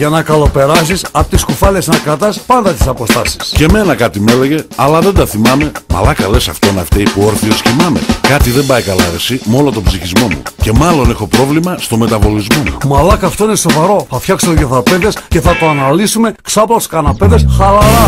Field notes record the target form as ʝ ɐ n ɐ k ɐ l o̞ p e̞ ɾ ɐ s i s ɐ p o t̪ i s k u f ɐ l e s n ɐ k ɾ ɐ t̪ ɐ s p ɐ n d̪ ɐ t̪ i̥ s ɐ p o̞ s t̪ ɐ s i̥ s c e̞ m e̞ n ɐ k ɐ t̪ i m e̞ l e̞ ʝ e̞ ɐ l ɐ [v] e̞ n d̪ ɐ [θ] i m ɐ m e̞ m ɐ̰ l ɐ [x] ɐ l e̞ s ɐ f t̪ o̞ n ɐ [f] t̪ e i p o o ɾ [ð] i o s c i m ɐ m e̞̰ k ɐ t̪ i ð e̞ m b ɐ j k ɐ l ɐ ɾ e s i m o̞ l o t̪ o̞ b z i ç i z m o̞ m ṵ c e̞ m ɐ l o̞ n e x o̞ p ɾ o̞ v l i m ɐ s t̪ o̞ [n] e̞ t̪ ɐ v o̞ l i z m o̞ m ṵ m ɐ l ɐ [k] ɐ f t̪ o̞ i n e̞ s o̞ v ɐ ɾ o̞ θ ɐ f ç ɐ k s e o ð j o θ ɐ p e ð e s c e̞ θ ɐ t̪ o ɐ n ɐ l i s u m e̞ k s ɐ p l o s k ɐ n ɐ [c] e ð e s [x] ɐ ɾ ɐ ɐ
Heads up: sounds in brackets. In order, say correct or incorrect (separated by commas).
incorrect, correct, incorrect, correct, incorrect, incorrect, correct, incorrect, correct